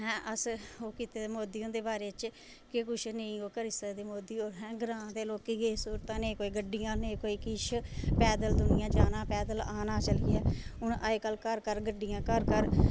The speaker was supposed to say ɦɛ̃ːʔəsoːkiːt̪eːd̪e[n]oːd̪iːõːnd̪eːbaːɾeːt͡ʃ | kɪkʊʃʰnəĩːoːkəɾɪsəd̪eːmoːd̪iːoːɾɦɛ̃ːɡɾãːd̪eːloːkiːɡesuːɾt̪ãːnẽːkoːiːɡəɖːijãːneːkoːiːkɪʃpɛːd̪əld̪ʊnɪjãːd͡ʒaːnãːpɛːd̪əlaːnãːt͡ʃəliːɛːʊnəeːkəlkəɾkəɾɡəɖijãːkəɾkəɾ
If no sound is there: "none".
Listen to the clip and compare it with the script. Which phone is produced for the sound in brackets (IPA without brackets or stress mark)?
m